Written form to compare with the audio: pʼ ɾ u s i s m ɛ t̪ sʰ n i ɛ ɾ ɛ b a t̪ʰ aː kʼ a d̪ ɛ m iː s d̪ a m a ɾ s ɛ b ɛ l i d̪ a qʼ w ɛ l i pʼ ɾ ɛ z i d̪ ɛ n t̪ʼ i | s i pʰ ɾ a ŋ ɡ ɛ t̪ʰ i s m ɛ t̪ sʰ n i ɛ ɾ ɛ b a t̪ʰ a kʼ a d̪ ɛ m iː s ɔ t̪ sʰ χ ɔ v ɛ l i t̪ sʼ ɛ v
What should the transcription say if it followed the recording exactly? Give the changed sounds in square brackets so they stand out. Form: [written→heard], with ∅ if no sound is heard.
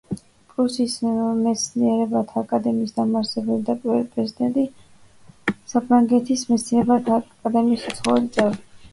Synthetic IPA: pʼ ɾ u s i s m ɛ t̪ sʰ n i ɛ ɾ ɛ b a t̪ʰ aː kʼ a d̪ ɛ m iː s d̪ a m a ɾ s ɛ b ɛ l i d̪ a [qʼ→pʼ] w ɛ l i pʼ ɾ ɛ z i d̪ ɛ n t̪ʼ i | s [i→a] pʰ ɾ a ŋ ɡ ɛ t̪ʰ i s m ɛ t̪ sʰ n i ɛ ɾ ɛ b a t̪ʰ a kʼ a d̪ ɛ m iː s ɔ t̪ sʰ χ ɔ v ɛ l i t̪ sʼ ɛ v